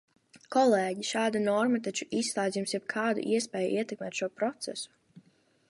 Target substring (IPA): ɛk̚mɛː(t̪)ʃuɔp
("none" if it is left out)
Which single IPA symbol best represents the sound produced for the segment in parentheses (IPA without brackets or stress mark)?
t̪